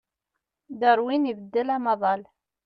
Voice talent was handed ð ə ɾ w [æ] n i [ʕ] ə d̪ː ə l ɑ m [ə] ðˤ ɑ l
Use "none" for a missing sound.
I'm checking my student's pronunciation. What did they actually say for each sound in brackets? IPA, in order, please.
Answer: i, v, ɑ

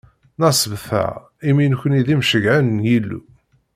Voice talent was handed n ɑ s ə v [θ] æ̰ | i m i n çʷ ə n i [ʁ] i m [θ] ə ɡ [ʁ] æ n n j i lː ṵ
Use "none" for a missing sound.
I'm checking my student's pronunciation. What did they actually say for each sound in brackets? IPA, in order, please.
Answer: θ, ð, ʃ, ʕ

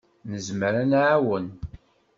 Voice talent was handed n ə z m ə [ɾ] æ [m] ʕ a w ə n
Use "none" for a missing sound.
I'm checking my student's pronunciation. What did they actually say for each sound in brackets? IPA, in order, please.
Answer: ɾ, n

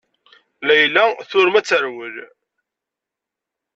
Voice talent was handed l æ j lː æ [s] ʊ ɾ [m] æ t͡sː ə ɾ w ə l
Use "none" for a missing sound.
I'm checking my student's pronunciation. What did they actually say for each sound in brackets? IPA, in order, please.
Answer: θ, m

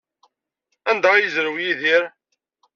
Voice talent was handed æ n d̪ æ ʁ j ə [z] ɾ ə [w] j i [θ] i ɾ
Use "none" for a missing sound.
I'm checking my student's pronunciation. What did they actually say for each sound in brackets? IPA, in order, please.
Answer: z, w, ð

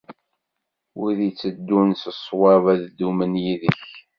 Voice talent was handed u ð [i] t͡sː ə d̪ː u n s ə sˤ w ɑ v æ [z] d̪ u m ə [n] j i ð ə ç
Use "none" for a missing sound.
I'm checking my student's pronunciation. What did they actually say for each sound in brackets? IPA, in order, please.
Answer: i, ð, n

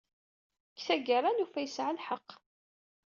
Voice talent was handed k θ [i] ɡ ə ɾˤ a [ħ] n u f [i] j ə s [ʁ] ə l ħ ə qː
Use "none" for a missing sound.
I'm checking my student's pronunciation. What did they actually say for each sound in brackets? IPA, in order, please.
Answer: æ, none, æ, ʕ

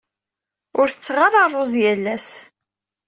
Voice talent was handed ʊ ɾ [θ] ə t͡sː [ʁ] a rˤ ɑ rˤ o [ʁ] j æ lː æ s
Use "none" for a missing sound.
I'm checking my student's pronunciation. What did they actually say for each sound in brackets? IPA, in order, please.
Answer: θ, ʁ, z

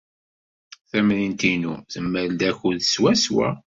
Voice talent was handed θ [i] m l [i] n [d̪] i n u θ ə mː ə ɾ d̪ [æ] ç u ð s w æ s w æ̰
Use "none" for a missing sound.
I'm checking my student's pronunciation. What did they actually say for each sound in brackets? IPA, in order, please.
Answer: æ, i, t̪, æ

